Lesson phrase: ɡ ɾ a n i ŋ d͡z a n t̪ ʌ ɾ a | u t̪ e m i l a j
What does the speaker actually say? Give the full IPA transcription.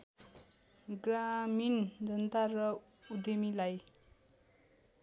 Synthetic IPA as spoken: ɡ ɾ a m i n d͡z ʌ n t̪ a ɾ ʌ | u d̪ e m i l a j